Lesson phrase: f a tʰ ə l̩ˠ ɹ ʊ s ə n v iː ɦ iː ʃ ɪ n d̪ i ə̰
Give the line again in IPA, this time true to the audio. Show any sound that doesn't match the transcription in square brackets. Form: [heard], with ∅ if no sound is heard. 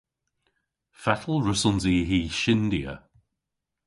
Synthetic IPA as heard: f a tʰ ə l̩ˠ ɹ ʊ s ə n [z] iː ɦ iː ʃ ɪ n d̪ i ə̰